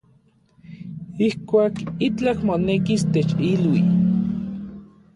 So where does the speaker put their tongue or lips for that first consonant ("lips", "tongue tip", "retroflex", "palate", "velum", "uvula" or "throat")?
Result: throat